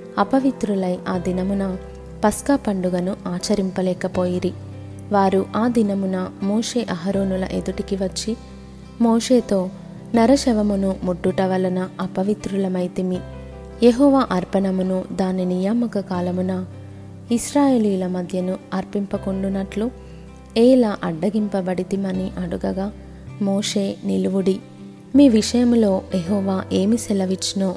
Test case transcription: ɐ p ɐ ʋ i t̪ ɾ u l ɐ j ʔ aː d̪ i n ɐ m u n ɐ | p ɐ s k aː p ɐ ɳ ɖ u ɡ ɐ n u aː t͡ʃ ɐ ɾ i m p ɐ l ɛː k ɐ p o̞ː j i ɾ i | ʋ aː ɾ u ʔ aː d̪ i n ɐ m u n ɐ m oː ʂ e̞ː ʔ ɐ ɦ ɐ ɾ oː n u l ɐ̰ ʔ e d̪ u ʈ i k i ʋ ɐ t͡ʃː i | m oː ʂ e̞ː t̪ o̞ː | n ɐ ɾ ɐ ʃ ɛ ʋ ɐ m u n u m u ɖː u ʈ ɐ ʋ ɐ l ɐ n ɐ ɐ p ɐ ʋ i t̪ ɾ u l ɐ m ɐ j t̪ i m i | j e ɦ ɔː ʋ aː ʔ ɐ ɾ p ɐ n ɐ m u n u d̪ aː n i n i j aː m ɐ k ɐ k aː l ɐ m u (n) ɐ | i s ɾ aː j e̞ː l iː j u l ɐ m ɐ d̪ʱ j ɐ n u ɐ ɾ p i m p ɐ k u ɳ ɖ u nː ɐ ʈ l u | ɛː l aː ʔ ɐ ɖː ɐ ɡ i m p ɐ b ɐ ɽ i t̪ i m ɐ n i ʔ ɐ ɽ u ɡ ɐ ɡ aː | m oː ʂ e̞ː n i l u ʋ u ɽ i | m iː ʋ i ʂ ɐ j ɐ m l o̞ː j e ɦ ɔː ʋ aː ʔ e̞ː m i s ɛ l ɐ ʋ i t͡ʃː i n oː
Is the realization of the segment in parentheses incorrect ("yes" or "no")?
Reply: no